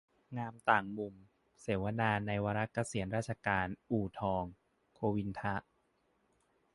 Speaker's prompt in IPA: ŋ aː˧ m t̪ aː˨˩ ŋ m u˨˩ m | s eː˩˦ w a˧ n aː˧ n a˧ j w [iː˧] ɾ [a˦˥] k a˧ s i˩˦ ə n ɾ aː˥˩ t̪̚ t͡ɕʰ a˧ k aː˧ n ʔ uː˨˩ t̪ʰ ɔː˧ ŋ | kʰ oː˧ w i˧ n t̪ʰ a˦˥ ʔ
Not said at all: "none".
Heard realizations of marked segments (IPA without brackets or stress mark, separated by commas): aː˧, a˦˥